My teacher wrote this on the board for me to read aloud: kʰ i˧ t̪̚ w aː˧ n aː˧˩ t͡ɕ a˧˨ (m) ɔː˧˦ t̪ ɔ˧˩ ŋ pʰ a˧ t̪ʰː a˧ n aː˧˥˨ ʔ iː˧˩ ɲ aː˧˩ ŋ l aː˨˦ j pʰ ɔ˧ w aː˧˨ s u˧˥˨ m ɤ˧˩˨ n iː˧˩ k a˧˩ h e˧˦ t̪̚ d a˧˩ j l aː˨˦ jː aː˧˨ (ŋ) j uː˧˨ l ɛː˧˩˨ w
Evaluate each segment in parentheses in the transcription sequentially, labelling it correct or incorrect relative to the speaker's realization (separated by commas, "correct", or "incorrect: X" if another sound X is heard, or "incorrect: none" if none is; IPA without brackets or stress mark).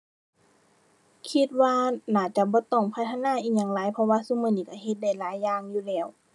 incorrect: b, correct